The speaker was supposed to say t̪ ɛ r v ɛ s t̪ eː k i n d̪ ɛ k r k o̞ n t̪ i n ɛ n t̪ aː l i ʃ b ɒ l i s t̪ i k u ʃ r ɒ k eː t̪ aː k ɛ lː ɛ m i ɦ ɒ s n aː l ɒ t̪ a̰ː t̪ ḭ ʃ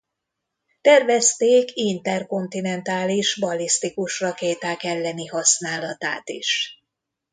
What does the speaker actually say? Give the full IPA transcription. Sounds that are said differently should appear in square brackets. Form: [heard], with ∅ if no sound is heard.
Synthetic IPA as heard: t̪ ɛ r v ɛ s t̪ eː k i n [t̪] ɛ [∅] r k o̞ n t̪ i n ɛ n t̪ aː l i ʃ b ɒ l i s t̪ i k u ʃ r ɒ k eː t̪ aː k ɛ lː ɛ [n] i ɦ ɒ s n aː l ɒ t̪ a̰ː t̪ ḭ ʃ